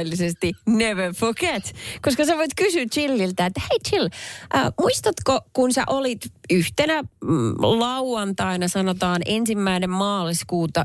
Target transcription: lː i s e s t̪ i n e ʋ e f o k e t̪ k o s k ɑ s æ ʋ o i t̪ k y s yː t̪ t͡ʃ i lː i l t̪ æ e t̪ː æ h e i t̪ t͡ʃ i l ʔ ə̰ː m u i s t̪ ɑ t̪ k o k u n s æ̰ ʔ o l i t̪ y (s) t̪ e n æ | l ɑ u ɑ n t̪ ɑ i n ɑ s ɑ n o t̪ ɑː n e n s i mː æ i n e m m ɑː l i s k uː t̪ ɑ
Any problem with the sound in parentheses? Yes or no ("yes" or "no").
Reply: yes